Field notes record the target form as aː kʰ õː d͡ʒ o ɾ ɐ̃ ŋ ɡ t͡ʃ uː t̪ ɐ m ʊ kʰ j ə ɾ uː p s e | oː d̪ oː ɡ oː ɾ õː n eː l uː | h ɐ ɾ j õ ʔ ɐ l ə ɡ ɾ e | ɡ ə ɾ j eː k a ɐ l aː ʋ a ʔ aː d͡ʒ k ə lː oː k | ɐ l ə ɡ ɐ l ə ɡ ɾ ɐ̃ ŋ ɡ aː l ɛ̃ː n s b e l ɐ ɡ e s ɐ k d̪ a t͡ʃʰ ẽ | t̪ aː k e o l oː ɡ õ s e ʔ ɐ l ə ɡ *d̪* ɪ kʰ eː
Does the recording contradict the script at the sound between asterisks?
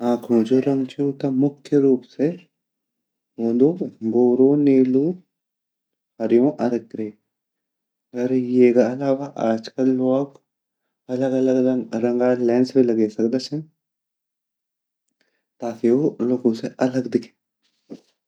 no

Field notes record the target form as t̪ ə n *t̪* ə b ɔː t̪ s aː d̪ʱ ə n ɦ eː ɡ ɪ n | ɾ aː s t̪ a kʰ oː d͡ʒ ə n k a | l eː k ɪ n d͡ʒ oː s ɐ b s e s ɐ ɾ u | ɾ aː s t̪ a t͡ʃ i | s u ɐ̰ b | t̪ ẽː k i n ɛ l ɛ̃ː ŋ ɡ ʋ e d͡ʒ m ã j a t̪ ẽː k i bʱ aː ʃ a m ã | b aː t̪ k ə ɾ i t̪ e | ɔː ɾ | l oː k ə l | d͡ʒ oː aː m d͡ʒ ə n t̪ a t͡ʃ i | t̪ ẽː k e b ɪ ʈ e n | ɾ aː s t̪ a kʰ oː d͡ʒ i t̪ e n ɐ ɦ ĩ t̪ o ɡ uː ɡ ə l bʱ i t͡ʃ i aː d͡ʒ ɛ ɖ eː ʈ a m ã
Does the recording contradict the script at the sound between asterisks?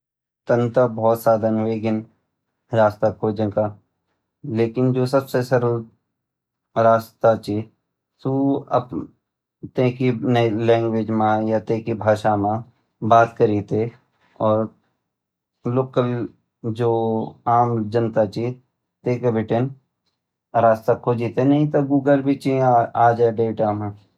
no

